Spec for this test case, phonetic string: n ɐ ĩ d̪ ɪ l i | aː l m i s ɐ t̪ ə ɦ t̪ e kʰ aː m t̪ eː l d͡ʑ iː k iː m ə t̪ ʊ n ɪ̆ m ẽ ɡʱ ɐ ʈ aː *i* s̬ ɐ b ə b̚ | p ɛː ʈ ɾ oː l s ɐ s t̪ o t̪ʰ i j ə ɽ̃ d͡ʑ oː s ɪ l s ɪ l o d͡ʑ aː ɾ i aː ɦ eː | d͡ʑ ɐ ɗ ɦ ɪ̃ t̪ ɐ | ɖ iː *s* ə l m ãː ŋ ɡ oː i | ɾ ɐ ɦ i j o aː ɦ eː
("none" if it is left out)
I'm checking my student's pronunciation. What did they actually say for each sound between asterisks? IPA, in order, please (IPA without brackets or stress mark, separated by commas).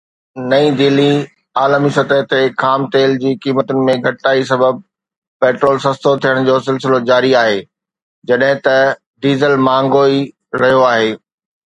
i, z